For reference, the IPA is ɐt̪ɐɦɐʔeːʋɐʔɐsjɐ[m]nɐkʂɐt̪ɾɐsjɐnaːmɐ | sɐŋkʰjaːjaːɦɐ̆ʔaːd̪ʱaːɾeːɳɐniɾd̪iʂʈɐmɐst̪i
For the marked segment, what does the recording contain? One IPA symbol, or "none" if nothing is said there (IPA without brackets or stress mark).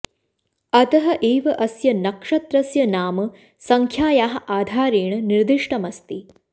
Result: none